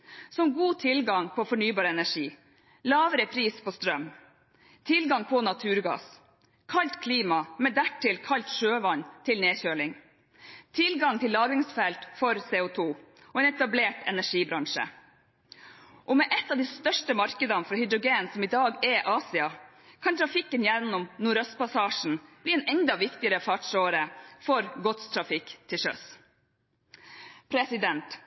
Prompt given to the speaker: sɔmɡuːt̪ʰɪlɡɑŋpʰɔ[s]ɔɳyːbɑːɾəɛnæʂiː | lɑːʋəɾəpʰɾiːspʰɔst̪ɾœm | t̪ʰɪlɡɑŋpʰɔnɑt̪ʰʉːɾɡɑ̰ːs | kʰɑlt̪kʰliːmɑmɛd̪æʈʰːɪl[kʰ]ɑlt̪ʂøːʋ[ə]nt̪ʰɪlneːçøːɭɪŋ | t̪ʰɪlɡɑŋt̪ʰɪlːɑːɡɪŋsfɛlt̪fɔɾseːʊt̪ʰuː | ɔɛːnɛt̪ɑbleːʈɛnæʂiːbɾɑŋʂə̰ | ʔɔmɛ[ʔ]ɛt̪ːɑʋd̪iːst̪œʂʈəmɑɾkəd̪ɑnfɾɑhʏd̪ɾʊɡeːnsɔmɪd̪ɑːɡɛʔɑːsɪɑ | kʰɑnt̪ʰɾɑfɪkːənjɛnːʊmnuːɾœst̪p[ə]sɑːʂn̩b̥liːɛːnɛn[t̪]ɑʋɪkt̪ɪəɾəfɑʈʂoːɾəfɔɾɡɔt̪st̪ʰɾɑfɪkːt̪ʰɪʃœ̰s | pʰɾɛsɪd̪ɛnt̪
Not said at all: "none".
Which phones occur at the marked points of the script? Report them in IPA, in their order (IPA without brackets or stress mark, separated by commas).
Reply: f, kʰ, ɑ, ʔ, ɑ, d̪